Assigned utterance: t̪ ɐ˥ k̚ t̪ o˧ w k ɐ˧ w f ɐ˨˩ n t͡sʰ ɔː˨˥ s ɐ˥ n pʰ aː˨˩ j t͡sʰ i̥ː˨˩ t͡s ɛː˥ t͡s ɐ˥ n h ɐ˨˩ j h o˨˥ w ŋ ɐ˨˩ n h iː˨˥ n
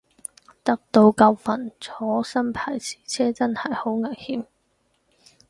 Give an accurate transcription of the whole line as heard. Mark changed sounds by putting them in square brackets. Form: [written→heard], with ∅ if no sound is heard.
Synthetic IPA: t̪ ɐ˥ k̚ t̪ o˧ w k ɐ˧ w f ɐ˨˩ n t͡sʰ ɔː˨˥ s ɐ˥ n pʰ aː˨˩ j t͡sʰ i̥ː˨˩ [t͡s→t͡sʰ] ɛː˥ t͡s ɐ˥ n h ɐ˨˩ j h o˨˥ w ŋ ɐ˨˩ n h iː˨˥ [n→m]